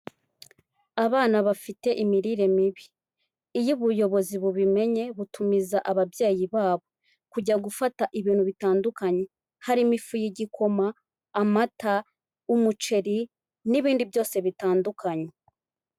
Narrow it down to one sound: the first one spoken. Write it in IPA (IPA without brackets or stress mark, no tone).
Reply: a